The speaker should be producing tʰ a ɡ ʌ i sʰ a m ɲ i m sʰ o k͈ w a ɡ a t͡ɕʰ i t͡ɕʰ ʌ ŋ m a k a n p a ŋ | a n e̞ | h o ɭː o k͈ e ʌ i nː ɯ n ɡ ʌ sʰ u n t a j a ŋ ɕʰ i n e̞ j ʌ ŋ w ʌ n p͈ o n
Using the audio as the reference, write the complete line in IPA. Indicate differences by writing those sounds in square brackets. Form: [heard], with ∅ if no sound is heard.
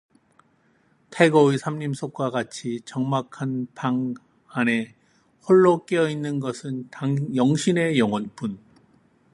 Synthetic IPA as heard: tʰ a ɡ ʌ i sʰ a m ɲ i m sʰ o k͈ w a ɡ a t͡ɕʰ i [t͡ɕ] ʌ ŋ m a [kʰ] a n p a ŋ | a n e̞ | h o ɭː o k͈ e ʌ i nː ɯ n ɡ ʌ sʰ [ɯ] n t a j [ʌ] ŋ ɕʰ i n e̞ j ʌ ŋ w ʌ n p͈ [u] n